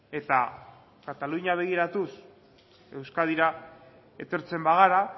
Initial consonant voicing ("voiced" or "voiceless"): voiceless